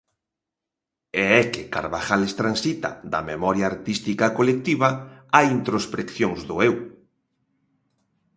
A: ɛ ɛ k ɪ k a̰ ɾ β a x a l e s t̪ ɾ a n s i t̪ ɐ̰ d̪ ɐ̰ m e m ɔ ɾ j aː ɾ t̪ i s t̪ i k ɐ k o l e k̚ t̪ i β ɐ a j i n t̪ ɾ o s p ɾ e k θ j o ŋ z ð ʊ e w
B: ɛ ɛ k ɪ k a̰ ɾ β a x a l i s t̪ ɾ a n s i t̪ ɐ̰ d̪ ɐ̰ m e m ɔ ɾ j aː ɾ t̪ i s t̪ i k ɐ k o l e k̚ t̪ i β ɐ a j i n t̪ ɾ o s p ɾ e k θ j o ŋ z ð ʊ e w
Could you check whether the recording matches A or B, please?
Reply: A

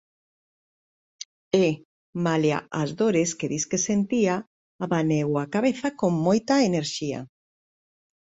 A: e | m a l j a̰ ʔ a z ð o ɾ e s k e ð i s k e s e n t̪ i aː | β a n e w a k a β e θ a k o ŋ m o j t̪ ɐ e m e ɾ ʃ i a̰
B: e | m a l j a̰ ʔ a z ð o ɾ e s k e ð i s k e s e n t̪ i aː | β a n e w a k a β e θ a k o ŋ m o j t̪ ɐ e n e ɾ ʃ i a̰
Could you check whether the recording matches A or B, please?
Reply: B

